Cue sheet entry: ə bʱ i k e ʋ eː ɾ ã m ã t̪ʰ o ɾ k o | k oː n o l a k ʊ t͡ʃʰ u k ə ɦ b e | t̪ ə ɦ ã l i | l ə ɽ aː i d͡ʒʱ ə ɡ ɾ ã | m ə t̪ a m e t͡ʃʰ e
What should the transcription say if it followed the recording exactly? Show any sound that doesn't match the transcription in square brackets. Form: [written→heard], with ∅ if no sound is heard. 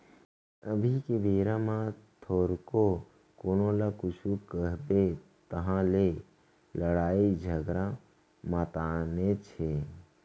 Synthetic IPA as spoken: ə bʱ i k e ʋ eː ɾ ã m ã t̪ʰ o ɾ k o | k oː n o l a k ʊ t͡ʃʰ u k ə ɦ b e | t̪ ə ɦ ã l [i→e] | l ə ɽ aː i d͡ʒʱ ə ɡ ɾ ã | m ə t̪ a [m→n] e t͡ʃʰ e